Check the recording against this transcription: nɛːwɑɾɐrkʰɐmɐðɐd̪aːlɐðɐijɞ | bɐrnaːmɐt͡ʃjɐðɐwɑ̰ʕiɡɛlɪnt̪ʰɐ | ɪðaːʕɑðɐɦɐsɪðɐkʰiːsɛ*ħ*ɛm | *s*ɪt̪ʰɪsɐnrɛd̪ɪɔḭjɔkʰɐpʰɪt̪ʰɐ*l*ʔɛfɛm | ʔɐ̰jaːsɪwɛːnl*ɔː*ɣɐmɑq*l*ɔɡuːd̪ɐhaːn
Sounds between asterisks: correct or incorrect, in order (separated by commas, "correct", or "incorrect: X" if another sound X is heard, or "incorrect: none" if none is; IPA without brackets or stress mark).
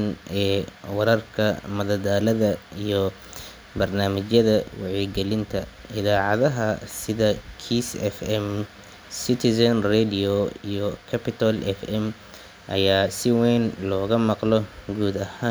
incorrect: f, correct, correct, correct, correct